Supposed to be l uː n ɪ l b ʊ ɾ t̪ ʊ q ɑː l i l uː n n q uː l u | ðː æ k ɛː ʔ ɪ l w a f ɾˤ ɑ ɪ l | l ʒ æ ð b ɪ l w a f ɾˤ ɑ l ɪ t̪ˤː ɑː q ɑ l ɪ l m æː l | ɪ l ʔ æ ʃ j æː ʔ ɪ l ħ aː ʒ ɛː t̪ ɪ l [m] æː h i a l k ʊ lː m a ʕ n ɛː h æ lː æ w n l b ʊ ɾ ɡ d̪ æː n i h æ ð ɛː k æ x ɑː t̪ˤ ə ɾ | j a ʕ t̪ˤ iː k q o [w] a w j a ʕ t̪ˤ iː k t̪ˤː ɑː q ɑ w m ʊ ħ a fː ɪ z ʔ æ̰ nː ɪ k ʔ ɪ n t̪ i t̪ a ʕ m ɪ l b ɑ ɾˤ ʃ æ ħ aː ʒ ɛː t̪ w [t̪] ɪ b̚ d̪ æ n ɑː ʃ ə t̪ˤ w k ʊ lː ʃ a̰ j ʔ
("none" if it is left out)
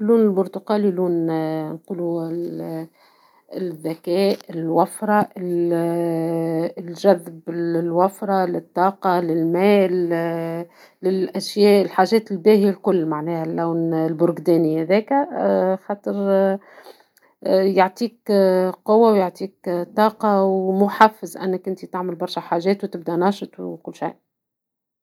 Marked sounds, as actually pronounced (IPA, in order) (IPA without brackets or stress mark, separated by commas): b, wː, t̪